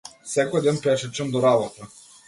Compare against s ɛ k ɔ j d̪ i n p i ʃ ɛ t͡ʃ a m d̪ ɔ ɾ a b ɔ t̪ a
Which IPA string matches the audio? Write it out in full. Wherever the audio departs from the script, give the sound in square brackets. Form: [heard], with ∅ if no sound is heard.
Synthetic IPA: s ɛ k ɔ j d̪ [ɛ] n p [ɛ] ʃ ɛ t͡ʃ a m d̪ ɔ ɾ a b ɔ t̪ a